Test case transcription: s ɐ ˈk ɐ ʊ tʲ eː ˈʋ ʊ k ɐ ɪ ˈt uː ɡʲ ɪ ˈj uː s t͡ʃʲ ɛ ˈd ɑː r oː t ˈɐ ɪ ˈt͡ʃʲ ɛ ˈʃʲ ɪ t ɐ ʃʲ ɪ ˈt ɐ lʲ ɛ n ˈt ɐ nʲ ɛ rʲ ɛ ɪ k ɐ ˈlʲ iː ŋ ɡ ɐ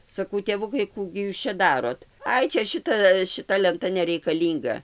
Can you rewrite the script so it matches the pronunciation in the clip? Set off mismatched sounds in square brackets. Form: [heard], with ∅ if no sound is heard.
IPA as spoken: s ɐ ˈk ɐ ʊ tʲ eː ˈʋ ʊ k ɐ ɪ [ˈk] uː ɡʲ ɪ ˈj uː s t͡ʃʲ ɛ ˈd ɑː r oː t ˈɐ ɪ ˈt͡ʃʲ ɛ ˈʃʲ ɪ t ɐ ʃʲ ɪ ˈt ɐ lʲ ɛ n ˈt ɐ nʲ ɛ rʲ ɛ ɪ k ɐ ˈlʲ iː ŋ ɡ ɐ